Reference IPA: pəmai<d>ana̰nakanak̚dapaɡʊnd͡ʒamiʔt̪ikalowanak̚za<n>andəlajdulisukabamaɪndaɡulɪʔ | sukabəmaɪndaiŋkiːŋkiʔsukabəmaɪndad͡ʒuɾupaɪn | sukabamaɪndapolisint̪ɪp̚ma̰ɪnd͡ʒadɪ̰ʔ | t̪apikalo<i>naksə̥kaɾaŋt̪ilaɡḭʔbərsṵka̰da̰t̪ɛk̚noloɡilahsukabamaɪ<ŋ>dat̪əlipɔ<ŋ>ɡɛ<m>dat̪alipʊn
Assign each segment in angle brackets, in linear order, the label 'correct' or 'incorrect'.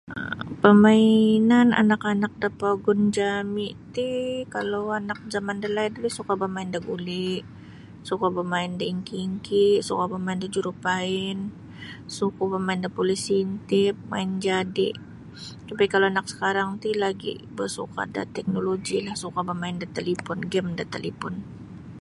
incorrect, incorrect, incorrect, incorrect, incorrect, correct

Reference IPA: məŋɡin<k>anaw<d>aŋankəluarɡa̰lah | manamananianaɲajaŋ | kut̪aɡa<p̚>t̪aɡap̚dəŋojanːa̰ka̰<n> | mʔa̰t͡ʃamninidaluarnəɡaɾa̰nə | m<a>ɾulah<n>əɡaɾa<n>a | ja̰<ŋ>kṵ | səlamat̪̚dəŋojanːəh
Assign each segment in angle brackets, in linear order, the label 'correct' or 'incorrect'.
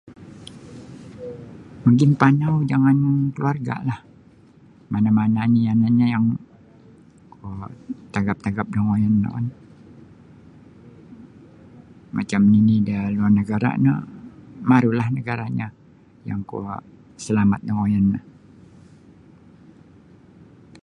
incorrect, incorrect, correct, correct, correct, correct, incorrect, correct

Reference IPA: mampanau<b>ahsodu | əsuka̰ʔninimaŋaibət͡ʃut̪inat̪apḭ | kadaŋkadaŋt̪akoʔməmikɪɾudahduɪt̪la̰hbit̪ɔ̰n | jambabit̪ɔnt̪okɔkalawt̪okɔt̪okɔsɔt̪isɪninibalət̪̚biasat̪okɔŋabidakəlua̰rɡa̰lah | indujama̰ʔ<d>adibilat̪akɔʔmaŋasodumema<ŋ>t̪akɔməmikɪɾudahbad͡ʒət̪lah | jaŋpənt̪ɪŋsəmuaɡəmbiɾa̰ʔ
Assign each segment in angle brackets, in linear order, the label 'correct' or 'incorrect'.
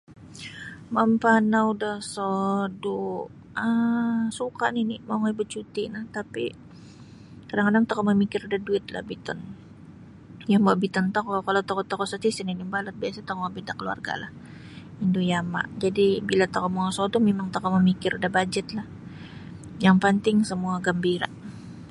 incorrect, incorrect, correct

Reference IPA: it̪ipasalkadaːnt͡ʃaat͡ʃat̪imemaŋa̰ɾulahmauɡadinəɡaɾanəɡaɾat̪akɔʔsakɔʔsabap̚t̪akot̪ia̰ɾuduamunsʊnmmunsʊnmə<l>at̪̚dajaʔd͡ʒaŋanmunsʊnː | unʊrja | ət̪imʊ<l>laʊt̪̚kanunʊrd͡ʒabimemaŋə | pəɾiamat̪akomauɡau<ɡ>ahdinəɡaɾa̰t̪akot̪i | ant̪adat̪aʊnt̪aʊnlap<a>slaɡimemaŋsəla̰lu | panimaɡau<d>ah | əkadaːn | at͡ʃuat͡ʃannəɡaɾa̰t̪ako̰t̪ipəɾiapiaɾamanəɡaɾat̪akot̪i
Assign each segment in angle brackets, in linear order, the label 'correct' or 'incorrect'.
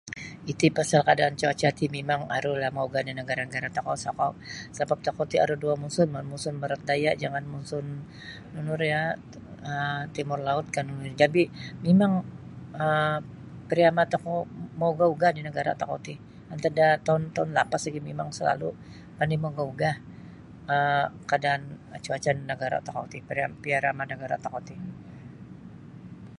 incorrect, incorrect, correct, correct, incorrect

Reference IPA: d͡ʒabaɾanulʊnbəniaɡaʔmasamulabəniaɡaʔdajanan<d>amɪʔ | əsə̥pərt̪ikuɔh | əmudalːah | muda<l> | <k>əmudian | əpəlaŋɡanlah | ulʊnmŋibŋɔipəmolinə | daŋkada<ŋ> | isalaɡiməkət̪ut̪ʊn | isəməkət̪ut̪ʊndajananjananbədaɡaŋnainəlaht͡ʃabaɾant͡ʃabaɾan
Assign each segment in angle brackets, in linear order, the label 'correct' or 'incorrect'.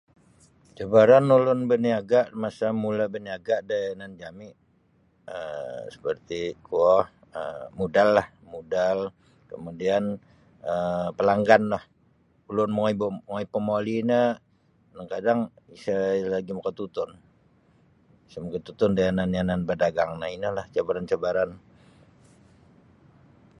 incorrect, correct, correct, correct

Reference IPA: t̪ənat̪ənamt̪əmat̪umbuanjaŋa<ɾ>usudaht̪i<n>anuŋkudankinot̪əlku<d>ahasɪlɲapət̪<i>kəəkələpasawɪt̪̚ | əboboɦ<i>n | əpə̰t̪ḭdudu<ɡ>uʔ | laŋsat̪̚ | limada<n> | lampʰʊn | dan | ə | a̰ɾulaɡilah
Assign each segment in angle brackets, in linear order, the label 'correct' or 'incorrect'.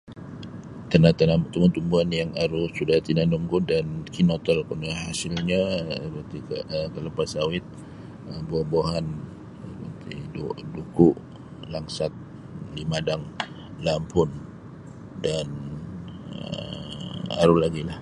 correct, correct, incorrect, correct, incorrect, incorrect, incorrect

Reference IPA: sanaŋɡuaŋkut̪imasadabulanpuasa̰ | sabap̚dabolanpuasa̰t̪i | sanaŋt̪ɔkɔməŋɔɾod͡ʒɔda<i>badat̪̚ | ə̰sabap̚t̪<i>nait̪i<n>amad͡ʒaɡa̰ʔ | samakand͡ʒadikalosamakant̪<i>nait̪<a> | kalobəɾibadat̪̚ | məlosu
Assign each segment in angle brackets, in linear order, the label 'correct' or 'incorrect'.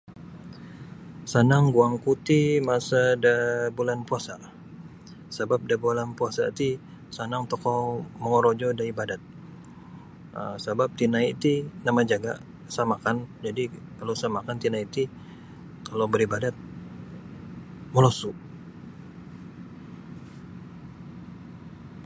correct, correct, correct, correct, incorrect

